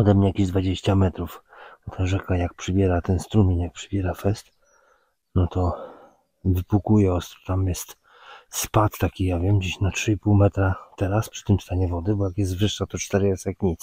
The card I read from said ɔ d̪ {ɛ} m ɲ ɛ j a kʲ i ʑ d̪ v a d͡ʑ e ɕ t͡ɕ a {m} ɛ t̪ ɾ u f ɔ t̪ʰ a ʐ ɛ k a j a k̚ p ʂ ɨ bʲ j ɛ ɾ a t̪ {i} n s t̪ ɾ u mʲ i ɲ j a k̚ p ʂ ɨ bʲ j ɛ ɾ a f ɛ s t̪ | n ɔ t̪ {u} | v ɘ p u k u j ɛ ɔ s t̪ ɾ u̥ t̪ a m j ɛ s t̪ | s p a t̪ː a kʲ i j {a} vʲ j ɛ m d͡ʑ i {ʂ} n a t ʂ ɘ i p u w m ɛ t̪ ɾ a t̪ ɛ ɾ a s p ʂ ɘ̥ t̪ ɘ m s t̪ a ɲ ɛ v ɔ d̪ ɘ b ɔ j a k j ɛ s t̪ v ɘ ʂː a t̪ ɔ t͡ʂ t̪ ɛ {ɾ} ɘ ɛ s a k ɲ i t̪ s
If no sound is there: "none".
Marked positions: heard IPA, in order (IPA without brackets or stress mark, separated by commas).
ɛ, m, ɛ, ɔ, a, ɕ, ɾ